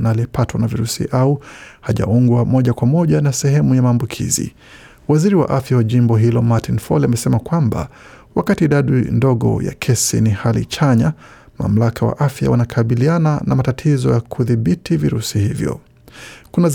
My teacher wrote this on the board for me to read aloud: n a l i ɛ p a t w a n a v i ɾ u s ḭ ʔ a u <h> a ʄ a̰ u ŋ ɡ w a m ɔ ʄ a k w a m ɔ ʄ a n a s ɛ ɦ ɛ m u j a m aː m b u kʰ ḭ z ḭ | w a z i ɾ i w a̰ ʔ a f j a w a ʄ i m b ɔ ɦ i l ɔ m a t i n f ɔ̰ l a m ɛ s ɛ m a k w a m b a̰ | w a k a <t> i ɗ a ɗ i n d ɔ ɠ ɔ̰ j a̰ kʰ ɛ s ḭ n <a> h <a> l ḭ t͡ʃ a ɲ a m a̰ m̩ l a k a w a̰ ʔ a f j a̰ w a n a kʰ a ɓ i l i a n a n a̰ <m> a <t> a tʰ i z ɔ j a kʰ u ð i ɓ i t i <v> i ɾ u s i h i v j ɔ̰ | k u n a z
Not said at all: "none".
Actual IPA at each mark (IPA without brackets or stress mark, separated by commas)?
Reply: h, t, i, a, m, t, v